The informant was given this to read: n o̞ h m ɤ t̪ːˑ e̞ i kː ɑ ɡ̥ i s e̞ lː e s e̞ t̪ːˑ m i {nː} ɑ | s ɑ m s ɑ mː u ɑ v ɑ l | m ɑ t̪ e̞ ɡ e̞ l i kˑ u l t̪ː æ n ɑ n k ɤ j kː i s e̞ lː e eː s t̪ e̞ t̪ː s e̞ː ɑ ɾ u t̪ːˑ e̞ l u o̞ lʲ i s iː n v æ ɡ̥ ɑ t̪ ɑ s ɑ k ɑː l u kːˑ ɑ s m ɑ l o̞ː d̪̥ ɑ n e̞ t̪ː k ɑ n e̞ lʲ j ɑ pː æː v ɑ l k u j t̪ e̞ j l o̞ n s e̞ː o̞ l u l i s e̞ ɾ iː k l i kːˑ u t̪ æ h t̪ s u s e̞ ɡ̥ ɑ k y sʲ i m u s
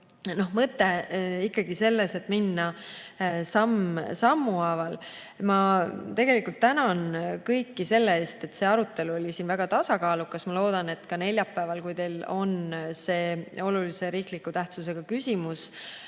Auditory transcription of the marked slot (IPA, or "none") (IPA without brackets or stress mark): nː